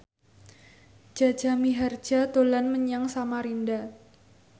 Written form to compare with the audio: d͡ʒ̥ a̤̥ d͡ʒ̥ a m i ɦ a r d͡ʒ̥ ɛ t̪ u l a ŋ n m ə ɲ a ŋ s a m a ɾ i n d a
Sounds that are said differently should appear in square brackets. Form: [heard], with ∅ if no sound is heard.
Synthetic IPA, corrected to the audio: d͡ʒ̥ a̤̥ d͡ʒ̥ a m i ɦ a r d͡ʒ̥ [a] t̪ [o] l a [∅] n m ə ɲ a ŋ s a m a ɾ i n d a

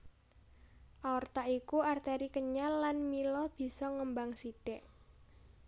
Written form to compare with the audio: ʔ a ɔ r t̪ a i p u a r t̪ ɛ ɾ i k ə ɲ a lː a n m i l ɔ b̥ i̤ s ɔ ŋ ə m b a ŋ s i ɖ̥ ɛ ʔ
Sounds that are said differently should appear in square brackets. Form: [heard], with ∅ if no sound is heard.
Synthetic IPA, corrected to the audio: ʔ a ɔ r t̪ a i [k] u a r t̪ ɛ ɾ i k ə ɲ a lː a n m i l ɔ b̥ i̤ s ɔ ŋ ə m b a ŋ s i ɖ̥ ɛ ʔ

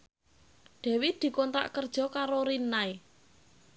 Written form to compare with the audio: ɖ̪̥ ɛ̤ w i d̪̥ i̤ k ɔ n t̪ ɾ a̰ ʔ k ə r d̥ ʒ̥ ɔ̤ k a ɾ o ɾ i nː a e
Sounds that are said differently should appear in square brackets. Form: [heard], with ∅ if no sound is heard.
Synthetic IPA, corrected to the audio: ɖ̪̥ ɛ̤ w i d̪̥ i̤ k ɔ n t̪ ɾ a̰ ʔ k ə r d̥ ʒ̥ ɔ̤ k a ɾ o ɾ i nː a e

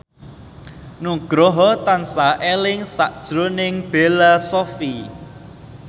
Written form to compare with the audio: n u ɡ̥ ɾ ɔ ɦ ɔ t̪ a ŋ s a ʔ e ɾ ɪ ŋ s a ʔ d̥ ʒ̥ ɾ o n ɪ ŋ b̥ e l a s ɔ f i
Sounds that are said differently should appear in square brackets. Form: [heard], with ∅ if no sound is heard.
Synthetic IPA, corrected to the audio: n u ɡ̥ ɾ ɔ ɦ ɔ t̪ a [n] s a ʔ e [l] ɪ ŋ s a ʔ d̥ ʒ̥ ɾ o n ɪ ŋ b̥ e l a s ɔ f i

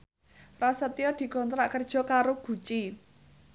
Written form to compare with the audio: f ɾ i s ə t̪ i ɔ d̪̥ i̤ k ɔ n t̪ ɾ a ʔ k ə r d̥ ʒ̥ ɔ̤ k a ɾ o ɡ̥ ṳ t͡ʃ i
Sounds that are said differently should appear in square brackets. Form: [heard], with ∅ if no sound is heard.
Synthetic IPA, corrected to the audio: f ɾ [a] s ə t̪ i ɔ d̪̥ i̤ k ɔ n t̪ ɾ a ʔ k ə r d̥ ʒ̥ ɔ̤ k a ɾ o ɡ̥ ṳ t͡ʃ i

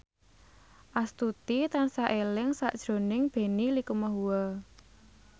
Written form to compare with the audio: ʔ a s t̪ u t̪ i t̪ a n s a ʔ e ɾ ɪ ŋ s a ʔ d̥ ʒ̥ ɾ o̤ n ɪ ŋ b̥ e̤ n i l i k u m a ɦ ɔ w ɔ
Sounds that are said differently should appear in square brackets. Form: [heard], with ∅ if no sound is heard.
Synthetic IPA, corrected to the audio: ʔ a s t̪ u t̪ i t̪ a n s a ʔ e [l] ɪ ŋ s a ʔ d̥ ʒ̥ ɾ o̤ n ɪ ŋ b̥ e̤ n i l i k u m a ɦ [u] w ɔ

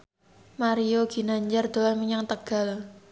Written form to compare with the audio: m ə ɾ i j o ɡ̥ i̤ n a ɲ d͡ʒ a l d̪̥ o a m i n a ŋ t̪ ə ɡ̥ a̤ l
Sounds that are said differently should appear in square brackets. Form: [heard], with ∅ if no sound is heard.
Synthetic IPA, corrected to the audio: m [a] ɾ i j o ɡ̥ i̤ n a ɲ d͡ʒ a [r] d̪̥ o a m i [ɲ] a ŋ t̪ ə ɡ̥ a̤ l

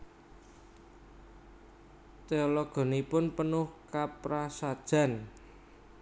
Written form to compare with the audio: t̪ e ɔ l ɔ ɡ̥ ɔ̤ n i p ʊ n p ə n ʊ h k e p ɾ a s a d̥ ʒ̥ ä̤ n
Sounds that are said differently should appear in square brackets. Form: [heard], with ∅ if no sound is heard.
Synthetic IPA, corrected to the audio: t̪ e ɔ l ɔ ɡ̥ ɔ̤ n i p ʊ n p ə n ʊ h k [a] p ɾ a s a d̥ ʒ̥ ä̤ n

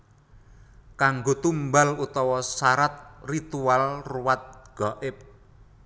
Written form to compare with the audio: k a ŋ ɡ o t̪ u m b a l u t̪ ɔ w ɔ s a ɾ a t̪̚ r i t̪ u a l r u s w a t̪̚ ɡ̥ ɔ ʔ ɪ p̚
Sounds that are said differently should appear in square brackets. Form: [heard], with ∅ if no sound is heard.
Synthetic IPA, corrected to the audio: k a ŋ ɡ o t̪ u m b a l u t̪ ɔ w ɔ s a ɾ a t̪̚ r i t̪ u a l r u [∅] w a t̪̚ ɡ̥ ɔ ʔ ɪ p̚

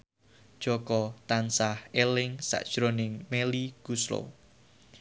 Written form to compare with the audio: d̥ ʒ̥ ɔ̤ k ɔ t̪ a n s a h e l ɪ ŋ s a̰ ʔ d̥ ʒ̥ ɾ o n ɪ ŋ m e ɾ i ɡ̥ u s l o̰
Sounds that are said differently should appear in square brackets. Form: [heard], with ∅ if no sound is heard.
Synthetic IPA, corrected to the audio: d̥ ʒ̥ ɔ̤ k ɔ t̪ a n s a h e l ɪ ŋ s a̰ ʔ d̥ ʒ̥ ɾ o n ɪ ŋ m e [l] i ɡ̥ u s l o̰

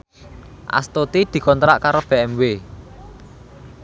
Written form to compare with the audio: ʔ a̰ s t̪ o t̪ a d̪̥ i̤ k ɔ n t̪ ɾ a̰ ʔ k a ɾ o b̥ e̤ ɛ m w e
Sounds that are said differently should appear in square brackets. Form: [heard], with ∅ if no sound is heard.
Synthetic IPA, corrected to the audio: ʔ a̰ s t̪ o t̪ [i] d̪̥ i̤ k ɔ n t̪ ɾ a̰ ʔ k a ɾ o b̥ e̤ ɛ m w e

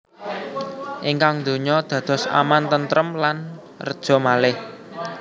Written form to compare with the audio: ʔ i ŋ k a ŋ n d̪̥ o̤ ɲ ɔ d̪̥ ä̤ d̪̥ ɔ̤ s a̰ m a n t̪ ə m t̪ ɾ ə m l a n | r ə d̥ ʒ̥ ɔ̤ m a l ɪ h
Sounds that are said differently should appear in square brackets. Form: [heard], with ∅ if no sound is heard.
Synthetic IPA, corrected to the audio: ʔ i ŋ k a ŋ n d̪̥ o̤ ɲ ɔ d̪̥ ä̤ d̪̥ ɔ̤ s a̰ m a n t̪ ə [n] t̪ ɾ ə m l a n | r ə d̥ ʒ̥ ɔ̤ m a l ɪ h

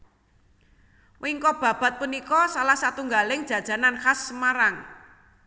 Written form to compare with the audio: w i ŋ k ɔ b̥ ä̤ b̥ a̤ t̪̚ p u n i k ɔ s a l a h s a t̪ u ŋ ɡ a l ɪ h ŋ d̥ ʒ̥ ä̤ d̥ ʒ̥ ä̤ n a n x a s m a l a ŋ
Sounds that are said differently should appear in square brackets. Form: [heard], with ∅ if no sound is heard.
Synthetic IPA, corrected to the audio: w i ŋ k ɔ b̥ ä̤ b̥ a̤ t̪̚ p u n i k ɔ s a l a h s a t̪ u ŋ ɡ a l ɪ [∅] ŋ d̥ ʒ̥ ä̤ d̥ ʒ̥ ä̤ n a n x a s m a [ɾ] a ŋ

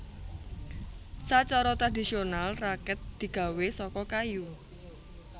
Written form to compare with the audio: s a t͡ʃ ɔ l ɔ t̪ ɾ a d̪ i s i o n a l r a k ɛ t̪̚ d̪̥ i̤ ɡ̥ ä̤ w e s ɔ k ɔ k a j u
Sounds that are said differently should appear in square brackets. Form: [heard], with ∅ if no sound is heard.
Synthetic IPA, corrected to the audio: s a t͡ʃ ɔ [ɾ] ɔ t̪ ɾ a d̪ i s i o n a l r a k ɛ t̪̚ d̪̥ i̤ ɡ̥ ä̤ w e s ɔ k ɔ k a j u

